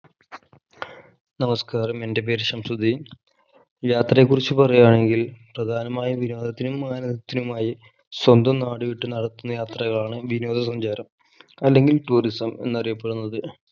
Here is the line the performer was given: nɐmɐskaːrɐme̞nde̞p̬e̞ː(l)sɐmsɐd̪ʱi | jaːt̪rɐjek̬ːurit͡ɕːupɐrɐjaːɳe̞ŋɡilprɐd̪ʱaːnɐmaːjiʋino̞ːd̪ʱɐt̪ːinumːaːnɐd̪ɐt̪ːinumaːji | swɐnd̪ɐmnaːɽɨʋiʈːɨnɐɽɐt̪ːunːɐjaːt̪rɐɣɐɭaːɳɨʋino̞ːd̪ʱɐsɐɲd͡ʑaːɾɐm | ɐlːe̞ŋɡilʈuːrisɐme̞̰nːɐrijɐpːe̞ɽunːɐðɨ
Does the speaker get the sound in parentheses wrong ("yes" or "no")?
yes